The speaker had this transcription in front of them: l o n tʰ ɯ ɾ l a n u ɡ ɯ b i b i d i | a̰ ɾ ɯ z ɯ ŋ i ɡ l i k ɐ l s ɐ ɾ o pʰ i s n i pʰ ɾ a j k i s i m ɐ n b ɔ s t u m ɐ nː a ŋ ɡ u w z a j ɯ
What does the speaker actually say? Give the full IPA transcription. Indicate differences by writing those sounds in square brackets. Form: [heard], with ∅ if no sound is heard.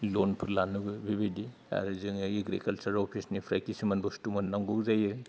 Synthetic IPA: l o n [pʰ] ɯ ɾ l a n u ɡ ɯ b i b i d i | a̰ ɾ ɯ z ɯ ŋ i ɡ [ɾ] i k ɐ l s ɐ ɾ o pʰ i s n i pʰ ɾ a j k i s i m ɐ n b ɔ s t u m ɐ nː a ŋ ɡ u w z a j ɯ